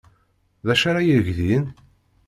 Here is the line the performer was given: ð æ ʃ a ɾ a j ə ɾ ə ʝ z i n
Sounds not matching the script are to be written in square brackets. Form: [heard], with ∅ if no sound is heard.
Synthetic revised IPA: ð æ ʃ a ɾ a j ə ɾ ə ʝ [ð] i n